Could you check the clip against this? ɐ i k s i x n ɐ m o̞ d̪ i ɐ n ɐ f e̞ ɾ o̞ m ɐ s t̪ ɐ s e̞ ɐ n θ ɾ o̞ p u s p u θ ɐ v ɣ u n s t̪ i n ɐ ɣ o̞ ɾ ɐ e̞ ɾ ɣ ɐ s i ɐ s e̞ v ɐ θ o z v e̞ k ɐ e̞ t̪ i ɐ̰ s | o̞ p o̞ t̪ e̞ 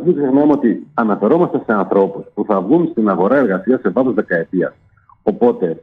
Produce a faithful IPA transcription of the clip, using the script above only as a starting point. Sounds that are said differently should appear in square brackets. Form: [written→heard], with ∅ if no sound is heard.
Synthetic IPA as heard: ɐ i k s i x n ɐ m o̞ [d̪→t̪] i ɐ n ɐ f e̞ ɾ o̞ m ɐ s t̪ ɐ s e̞ ɐ n θ ɾ o̞ p u s p u θ ɐ v ɣ u n s t̪ i n ɐ ɣ o̞ ɾ ɐ e̞ ɾ ɣ ɐ s i ɐ s e̞ v ɐ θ o z [v→ð] e̞ k ɐ e̞ t̪ i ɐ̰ s | o̞ p o̞ t̪ e̞